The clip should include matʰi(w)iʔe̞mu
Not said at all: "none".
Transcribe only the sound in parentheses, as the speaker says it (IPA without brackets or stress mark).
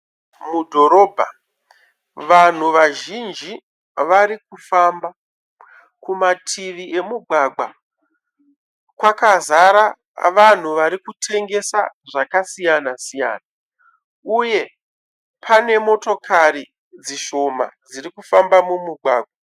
ʋ